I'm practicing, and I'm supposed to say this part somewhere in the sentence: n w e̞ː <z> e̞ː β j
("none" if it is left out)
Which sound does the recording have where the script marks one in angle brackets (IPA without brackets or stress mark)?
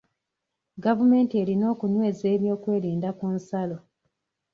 z